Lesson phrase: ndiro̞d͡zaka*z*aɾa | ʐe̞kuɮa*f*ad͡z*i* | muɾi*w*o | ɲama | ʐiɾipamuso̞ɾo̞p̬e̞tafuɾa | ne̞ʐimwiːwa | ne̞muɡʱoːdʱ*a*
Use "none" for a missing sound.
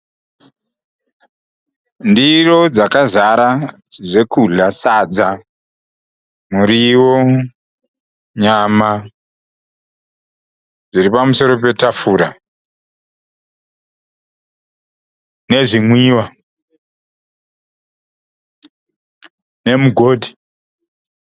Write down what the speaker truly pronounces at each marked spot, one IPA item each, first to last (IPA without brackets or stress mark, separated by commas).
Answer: z, s, a, w, i